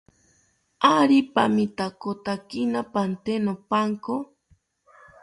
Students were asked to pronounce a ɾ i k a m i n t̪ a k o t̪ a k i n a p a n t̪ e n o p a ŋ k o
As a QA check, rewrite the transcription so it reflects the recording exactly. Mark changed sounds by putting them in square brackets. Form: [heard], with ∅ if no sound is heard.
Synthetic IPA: a ɾ i [p] a m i [∅] t̪ a k o t̪ a k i n a p a n t̪ e n o p a ŋ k o